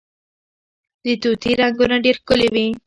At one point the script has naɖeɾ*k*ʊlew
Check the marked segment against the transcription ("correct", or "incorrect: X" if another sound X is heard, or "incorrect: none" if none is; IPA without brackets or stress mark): correct